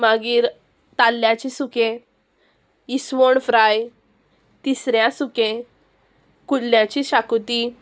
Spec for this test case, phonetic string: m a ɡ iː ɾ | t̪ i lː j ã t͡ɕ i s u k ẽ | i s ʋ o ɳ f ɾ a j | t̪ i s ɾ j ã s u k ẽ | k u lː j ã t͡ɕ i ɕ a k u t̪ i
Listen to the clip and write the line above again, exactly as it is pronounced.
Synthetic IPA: m a ɡ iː ɾ | t̪ a lː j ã t͡ɕ i s u k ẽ | i s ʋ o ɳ f ɾ a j | t̪ i s ɾ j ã s u k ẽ | k u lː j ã t͡ɕ i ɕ a k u t̪ i